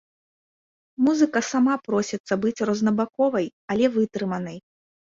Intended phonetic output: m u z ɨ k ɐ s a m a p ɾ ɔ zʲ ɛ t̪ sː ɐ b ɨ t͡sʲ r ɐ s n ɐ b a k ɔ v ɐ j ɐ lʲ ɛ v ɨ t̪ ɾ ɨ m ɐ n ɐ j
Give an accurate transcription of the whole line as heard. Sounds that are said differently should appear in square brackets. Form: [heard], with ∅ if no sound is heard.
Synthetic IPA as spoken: m u z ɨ k ɐ s a m a p ɾ ɔ [sʲ] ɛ t̪ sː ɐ b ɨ t͡sʲ r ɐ [z] n ɐ b a k ɔ v ɐ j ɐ lʲ ɛ v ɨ t̪ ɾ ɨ m ɐ n ɐ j